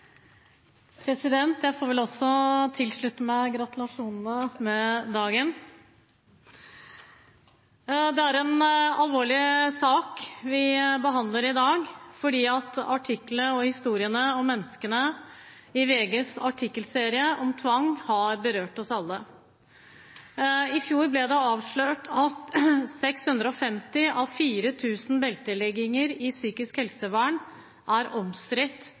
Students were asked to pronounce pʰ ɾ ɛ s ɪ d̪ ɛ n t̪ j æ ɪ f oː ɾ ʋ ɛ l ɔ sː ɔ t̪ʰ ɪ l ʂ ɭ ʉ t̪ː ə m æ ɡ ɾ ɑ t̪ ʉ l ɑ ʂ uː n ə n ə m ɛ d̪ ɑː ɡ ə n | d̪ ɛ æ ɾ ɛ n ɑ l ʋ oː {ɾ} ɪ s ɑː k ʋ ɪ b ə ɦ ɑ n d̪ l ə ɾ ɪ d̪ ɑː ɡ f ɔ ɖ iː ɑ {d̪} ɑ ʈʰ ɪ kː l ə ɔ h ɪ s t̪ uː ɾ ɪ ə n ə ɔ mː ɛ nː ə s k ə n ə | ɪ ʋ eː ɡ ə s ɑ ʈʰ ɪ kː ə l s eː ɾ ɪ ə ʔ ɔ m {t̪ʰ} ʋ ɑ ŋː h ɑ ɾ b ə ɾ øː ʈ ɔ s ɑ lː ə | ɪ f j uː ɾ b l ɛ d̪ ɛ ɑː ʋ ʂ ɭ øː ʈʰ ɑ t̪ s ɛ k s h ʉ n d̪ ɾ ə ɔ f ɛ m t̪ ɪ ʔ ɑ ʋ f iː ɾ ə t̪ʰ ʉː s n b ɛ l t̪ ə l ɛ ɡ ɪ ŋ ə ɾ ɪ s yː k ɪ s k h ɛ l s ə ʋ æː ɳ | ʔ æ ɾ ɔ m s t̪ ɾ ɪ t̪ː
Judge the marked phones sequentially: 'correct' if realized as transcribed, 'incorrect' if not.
incorrect: ɭ, incorrect: t̪, correct

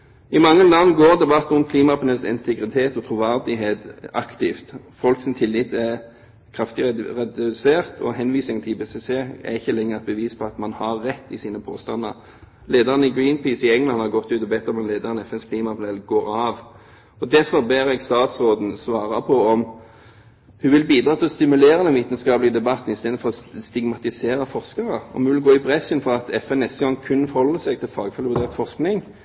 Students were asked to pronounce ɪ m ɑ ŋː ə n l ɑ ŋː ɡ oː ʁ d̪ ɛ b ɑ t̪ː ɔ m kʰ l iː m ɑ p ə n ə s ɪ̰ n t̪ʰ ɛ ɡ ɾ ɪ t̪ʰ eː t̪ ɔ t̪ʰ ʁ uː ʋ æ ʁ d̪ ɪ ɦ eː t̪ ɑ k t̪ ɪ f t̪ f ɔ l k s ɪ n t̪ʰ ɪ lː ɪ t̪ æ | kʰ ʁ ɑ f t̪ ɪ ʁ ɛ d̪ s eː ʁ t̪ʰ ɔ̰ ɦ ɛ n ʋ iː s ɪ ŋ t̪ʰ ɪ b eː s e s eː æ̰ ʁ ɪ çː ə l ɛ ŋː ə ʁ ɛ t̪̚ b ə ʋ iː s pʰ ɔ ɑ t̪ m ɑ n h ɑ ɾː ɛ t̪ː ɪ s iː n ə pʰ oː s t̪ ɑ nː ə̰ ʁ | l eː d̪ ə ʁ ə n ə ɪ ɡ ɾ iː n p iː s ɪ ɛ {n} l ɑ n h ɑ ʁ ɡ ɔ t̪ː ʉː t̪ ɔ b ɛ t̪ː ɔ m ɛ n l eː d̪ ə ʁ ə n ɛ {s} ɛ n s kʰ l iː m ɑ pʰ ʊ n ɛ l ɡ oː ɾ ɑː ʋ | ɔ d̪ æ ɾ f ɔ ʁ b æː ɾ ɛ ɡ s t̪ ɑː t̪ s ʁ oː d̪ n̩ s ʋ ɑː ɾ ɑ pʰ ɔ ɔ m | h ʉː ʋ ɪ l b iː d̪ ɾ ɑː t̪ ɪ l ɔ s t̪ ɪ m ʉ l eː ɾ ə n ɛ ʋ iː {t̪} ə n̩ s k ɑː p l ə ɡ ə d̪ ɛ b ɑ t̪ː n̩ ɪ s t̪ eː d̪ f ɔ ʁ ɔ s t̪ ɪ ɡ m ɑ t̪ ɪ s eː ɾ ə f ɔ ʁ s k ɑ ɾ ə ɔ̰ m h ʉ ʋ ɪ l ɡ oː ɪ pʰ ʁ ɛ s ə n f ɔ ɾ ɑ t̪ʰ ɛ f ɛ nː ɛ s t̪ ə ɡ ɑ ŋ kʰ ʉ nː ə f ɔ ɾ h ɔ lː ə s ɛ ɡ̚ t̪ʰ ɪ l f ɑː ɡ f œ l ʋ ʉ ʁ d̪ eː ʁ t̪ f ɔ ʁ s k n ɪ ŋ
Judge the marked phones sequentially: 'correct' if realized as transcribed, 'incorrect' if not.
incorrect: ŋ, incorrect: f, correct

